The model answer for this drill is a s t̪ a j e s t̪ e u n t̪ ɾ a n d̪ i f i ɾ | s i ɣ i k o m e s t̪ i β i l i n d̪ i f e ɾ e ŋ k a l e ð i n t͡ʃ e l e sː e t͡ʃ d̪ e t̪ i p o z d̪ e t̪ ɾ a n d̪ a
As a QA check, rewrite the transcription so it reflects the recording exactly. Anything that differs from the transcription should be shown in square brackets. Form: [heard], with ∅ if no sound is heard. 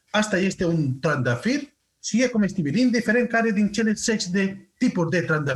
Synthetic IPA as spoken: a s t̪ a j e s t̪ e u n t̪ ɾ a n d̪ [a] f i ɾ | s i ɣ [e] k o m e s t̪ i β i l i n d̪ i f e ɾ e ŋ k a [ɾ] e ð i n t͡ʃ e l e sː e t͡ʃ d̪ e t̪ i p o z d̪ e t̪ ɾ a n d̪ a